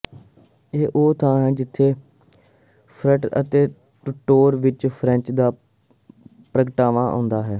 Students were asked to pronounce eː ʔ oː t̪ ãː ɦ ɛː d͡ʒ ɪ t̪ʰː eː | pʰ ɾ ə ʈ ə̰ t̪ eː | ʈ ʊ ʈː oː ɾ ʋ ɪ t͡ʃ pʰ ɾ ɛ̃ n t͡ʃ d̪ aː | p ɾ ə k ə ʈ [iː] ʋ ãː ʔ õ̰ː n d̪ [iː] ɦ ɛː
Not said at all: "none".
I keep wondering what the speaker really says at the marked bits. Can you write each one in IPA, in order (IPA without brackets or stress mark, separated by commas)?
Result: aː, aː